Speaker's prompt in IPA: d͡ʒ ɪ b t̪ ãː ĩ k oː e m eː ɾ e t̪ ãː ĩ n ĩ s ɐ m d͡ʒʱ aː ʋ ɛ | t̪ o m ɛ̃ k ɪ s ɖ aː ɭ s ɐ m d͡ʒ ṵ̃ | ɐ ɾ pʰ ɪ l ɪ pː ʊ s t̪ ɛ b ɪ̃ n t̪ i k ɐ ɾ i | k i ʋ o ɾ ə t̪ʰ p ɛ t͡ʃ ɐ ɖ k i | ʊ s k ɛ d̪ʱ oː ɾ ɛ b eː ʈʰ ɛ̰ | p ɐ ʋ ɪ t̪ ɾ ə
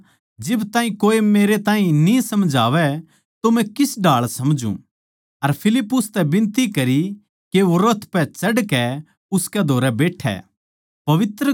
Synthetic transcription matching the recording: d͡ʒ ɪ b t̪ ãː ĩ k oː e m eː ɾ e t̪ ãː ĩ n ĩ s ɐ m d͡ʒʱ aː ʋ ɛ | t̪ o m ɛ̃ k ɪ s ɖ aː ɭ s ɐ m d͡ʒ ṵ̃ | ɐ ɾ pʰ ɪ l ɪ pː ʊ s t̪ ɛ b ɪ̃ n t̪ i k ɐ ɾ i | k e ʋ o ɾ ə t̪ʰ p ɛ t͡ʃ ɐ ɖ k ɛ | ʊ s k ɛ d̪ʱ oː ɾ ɛ b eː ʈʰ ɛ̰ | p ɐ ʋ ɪ t̪ ɾ ə

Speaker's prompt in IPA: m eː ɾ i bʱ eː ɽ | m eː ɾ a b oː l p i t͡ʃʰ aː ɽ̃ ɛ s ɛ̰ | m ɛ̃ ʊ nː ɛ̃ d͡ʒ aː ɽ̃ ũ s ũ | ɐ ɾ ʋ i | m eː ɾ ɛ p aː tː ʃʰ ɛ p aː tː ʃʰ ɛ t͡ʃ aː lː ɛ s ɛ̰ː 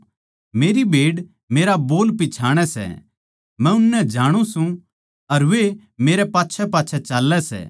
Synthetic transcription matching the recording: m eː ɾ i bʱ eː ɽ | m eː ɾ a b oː l p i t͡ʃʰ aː ɽ̃ ɛ s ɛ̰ | m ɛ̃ ʊ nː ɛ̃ d͡ʒ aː ɽ̃ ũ s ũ | ɐ ɾ ʋ e | m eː ɾ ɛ p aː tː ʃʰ ɛ p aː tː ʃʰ ɛ t͡ʃ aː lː ɛ s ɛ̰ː

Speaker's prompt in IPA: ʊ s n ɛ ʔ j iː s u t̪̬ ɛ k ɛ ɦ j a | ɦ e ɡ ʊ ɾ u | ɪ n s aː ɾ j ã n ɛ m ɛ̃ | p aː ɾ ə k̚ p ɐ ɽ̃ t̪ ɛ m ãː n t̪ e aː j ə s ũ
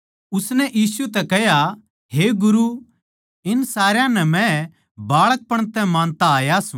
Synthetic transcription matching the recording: ʊ s n ɛ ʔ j iː s u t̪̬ ɛ k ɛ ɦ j a | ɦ e ɡ ʊ ɾ u | ɪ n s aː ɾ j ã n ɛ m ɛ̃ | b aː ɭ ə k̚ p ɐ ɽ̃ t̪ ɛ m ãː n t̪ a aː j a s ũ

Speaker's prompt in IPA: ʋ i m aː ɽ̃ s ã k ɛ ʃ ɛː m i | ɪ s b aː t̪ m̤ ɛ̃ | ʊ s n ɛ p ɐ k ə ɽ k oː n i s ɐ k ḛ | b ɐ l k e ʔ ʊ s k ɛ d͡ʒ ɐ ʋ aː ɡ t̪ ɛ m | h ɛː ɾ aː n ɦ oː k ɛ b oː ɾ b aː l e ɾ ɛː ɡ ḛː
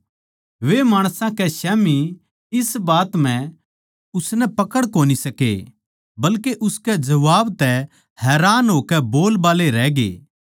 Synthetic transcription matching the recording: ʋ e m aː ɽ̃ s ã k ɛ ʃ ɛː m i | ɪ s b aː t̪ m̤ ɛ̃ | ʊ s n ɛ p ɐ k ə ɽ k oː n i s ɐ k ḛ | b ɐ l k e ʔ ʊ s k ɛ d͡ʒ ɐ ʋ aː b t̪ ɛ | h ɛː ɾ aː n ɦ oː k ɛ b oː l b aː l e ɾ ɛː ɡ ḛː

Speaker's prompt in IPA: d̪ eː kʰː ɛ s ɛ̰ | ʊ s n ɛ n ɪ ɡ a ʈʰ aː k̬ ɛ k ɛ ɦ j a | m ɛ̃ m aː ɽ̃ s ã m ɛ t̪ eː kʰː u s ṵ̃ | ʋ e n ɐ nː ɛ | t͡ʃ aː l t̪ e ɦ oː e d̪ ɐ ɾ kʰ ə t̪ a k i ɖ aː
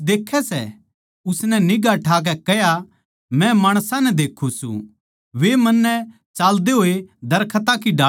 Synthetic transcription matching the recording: d̪ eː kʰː ɛ s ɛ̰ | ʊ s n ɛ n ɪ ɡ a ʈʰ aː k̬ ɛ k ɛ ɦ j a | m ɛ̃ m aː ɽ̃ s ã n ɛ d̪ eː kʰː u s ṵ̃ | ʋ e m ɐ nː ɛ | t͡ʃ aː l d̪ e ɦ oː e d̪ ɐ ɾ kʰ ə t̪ a k i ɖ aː

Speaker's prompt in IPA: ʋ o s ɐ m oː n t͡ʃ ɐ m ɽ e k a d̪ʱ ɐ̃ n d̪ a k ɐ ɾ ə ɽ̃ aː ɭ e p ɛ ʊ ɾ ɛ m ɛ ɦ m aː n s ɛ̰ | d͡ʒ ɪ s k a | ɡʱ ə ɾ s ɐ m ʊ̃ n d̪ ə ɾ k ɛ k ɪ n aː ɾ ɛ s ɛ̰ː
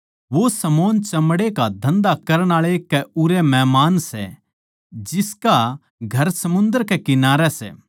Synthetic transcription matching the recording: ʋ o s ɐ m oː n t͡ʃ ɐ m ɽ e k a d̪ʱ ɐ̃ n d̪ a k ɐ ɾ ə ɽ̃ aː ɭ e k ɛ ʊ ɾ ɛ m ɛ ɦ m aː n s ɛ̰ | d͡ʒ ɪ s k a | ɡʱ ɐ ɾ s ɐ m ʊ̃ n d̪ ə ɾ k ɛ k ɪ n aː ɾ ɛ s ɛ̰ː

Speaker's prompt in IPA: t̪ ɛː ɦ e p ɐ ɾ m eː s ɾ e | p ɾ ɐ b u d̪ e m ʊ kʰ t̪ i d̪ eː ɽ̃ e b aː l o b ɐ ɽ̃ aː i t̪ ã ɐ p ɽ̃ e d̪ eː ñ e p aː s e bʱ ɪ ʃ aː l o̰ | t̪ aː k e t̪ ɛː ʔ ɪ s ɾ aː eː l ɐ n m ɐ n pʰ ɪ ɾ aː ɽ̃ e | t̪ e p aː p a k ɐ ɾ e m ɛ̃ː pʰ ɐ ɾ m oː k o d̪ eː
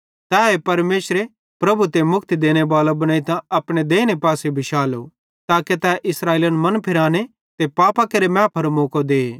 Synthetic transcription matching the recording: t̪ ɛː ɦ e p ɐ ɾ m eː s ɾ e | p ɾ ɐ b u t̪ e m ʊ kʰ t̪ i d̪ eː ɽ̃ e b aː l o b ɐ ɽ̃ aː i t̪ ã ɐ p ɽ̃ e d̪ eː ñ e p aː s e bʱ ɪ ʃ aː l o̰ | t̪ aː k e t̪ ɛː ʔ ɪ s ɾ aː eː l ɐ n m ɐ n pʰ ɪ ɾ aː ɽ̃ e | t̪ e p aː p a k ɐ ɾ e m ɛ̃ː pʰ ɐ ɾ m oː k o d̪ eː

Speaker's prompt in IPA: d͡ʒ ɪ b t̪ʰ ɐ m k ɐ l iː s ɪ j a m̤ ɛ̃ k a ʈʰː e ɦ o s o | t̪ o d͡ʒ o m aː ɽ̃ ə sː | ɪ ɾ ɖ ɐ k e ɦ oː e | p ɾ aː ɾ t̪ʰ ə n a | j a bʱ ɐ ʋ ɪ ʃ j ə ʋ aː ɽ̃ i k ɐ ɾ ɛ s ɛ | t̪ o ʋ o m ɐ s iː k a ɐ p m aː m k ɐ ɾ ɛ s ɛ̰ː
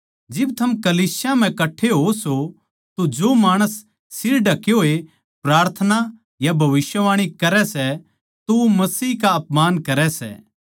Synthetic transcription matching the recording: d͡ʒ ɪ b t̪ʰ ɐ m k ɐ l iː s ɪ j a m̤ ɛ̃ k ɐ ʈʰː e ɦ o s o | t̪ o d͡ʒ o m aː ɽ̃ ə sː | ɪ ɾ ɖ ɐ k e ɦ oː e | p ɾ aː ɾ t̪ʰ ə n a | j a bʱ ɐ ʋ ɪ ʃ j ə ʋ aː ɽ̃ i k ɐ ɾ ɛ s ɛ | t̪ o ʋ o m ɐ s iː k a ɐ p m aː n k ɐ ɾ ɛ s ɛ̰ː

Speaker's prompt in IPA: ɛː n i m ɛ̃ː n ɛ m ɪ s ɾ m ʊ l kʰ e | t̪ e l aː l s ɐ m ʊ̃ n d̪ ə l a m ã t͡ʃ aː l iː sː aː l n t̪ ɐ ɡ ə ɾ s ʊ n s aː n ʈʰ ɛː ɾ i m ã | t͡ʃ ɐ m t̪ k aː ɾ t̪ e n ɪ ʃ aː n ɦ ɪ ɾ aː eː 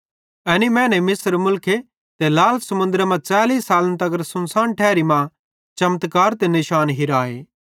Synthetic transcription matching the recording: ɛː n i m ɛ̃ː n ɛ m ɪ s ɾ m ʊ l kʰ e | t̪ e l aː l s ɐ m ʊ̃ n d̪ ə ɾ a m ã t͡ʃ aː l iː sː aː l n t̪ ɐ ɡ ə ɾ s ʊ n s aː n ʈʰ ɛː ɾ i m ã | t͡ʃ ɐ m t̪ k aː ɾ t̪ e n ɪ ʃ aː n ɦ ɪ ɾ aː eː

